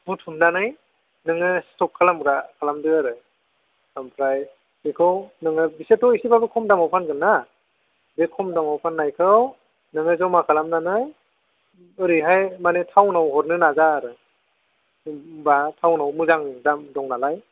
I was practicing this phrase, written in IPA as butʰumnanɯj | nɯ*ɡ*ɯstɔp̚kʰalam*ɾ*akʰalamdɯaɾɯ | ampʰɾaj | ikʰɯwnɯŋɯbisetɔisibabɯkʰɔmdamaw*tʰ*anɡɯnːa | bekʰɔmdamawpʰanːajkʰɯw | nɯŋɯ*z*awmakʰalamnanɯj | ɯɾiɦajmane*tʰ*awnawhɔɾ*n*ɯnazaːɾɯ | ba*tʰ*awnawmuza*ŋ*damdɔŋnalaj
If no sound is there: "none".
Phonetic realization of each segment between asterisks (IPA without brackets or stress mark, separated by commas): ŋ, ɾ, pʰ, z, tʰ, n, tʰ, ŋ